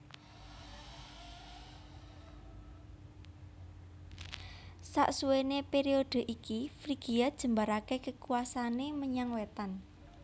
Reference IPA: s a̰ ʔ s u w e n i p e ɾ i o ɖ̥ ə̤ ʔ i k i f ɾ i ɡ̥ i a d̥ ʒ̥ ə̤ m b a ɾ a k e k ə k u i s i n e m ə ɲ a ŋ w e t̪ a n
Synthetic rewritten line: s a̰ ʔ s u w e n e p e ɾ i o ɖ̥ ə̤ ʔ i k i f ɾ i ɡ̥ i a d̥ ʒ̥ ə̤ m b a ɾ a k e k ə k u a s a n e m ə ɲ a ŋ w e t̪ a n